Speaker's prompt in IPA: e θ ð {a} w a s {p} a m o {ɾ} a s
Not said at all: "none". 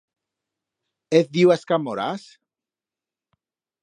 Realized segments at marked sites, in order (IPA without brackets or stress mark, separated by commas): i, k, ɾ